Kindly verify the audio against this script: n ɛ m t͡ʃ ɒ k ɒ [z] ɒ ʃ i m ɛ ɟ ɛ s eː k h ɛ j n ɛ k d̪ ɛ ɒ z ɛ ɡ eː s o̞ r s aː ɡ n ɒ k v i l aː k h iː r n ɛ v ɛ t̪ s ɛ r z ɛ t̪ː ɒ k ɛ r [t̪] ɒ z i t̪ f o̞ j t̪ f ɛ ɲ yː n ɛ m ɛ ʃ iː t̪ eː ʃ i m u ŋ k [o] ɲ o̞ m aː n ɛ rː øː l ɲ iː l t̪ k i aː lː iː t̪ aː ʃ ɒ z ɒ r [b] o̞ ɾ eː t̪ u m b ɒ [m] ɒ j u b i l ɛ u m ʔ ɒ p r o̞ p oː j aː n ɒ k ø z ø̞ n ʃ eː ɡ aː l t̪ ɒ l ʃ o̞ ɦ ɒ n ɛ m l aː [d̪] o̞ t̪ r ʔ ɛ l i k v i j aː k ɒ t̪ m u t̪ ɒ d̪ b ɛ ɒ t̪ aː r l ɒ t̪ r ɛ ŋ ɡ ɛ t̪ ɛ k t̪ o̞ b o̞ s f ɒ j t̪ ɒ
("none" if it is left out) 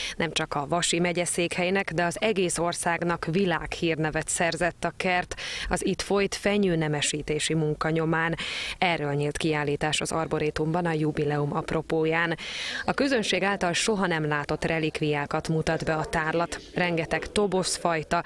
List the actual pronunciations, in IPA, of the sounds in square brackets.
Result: v, t̪, ɒ, b, n, t̪

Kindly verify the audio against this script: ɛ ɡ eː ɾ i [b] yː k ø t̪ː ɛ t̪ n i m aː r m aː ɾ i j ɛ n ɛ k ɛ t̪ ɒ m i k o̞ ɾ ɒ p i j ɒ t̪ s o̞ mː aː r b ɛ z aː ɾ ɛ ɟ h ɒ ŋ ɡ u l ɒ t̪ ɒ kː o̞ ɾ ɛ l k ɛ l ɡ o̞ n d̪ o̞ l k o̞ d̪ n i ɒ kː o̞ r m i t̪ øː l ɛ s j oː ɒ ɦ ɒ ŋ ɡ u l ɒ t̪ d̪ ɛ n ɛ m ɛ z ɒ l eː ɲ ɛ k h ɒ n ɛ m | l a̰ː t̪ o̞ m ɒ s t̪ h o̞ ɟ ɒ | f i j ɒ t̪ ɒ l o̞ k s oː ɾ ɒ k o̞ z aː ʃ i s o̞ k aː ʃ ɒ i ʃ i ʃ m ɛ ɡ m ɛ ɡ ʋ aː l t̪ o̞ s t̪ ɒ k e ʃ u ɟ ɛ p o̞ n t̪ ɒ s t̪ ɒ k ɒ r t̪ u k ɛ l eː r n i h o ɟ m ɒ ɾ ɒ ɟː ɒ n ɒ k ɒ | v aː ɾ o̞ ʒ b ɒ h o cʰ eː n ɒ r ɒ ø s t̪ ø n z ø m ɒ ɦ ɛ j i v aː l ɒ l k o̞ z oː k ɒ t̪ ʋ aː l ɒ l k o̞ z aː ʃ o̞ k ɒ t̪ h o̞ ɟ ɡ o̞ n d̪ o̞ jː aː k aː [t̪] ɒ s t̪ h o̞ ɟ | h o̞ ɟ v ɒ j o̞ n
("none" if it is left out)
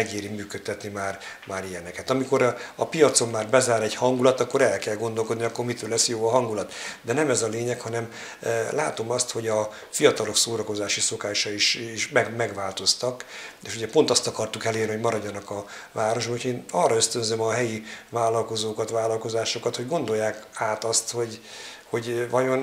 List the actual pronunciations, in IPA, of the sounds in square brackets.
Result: m, t̪

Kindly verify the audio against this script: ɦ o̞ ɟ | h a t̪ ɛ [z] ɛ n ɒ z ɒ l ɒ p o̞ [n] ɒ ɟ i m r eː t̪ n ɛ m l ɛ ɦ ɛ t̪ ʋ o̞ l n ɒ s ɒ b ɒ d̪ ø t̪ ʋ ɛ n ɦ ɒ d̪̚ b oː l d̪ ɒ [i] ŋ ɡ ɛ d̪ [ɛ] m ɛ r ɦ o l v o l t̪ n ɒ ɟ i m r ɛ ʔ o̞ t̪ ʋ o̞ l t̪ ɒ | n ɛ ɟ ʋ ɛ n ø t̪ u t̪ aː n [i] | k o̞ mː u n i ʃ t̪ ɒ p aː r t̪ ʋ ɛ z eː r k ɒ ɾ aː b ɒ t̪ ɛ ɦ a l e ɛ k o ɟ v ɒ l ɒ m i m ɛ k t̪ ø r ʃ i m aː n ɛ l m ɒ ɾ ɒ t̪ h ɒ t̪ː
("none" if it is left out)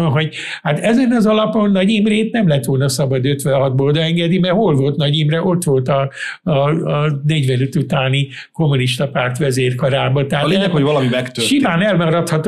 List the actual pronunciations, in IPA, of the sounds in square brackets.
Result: z, nː, ɛ, i, i

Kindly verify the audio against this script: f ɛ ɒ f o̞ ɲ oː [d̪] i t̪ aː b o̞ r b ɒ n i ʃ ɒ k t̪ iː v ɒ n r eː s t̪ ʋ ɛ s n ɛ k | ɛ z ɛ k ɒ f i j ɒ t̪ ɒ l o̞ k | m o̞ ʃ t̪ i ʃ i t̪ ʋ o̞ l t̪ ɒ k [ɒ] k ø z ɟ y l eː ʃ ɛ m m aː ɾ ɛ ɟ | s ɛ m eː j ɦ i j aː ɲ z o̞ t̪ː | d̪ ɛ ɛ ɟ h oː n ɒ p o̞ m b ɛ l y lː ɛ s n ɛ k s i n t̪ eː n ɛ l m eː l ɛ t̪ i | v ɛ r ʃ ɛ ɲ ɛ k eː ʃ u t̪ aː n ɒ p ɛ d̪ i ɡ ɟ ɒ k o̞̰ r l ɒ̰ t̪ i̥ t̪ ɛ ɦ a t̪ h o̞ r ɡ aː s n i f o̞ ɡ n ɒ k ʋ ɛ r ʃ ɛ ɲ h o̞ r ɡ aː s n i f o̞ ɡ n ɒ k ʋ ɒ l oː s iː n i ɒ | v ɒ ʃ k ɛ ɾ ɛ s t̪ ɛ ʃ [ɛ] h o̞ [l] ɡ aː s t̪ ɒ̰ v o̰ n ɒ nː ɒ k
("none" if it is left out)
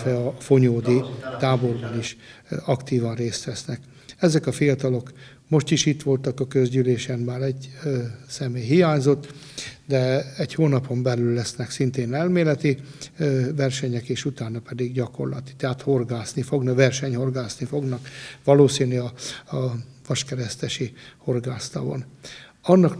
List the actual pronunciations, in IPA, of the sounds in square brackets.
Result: d̪, ɒ, i, r

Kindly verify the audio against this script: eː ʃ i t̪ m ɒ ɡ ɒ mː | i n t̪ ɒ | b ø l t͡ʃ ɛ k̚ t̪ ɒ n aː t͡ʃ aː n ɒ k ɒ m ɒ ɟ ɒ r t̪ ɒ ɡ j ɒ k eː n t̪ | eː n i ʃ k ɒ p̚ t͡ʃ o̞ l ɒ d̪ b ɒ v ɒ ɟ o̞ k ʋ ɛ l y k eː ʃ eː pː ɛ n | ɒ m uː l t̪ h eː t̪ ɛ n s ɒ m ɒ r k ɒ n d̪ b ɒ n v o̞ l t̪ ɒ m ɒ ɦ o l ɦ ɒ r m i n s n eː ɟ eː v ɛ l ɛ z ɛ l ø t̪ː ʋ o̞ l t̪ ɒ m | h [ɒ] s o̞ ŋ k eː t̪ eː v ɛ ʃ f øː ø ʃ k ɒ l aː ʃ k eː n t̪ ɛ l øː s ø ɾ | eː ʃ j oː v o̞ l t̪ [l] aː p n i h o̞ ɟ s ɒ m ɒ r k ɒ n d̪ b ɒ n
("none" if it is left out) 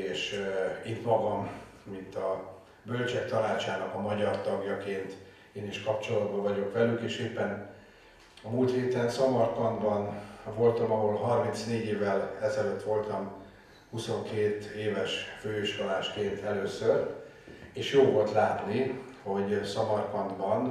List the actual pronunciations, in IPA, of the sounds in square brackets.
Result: u, l

